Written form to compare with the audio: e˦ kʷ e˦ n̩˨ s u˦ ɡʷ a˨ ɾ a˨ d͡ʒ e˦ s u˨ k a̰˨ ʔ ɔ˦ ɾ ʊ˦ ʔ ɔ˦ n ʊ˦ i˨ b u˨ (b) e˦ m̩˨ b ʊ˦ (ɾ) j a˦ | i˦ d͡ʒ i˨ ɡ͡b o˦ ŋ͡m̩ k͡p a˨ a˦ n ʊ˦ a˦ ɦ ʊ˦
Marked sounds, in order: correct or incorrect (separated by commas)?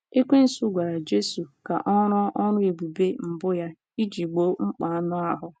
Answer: correct, incorrect